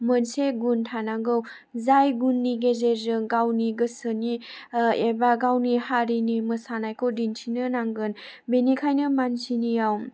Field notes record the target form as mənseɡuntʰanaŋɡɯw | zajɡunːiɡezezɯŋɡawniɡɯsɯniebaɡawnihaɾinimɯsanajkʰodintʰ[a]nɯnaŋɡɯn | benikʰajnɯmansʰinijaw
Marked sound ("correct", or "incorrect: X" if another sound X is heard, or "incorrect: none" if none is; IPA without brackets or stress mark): incorrect: i